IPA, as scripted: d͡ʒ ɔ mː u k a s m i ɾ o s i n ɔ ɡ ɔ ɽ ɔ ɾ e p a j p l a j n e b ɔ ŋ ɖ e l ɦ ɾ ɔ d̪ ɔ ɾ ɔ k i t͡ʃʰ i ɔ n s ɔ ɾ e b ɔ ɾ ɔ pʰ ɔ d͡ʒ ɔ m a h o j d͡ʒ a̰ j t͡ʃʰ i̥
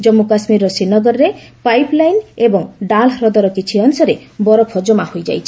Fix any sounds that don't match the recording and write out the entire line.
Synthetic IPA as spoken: d͡ʒ ɔ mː u k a s m i ɾ ɔ s i n ɔ ɡ ɔ ɾ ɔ ɾ e p a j p l a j n e b ɔ ŋ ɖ a l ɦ ɾ ɔ d̪ ɔ ɾ ɔ k i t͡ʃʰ i ɔ n s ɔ ɾ e b ɔ ɾ ɔ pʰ ɔ d͡ʒ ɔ m a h o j d͡ʒ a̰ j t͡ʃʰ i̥